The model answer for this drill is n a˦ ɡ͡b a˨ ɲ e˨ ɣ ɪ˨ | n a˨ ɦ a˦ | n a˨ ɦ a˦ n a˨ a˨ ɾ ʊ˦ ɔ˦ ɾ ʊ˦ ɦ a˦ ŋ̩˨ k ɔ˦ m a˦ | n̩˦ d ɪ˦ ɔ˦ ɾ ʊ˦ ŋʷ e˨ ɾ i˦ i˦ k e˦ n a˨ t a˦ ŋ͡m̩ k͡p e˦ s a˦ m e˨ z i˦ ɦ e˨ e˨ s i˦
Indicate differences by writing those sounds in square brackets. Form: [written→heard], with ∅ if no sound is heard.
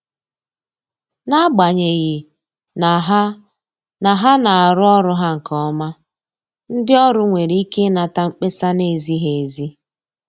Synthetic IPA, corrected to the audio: n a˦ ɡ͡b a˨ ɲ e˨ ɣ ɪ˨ | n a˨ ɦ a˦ | n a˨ ɦ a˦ n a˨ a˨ ɾ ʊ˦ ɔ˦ ɾ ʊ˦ ɦ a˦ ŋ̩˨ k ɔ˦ m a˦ | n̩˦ d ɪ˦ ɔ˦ ɾ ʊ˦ ŋʷ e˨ ɾ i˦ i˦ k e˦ n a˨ t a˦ ŋ͡m̩ k͡p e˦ s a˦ [m→n] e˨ z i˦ ɦ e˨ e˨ [s→z] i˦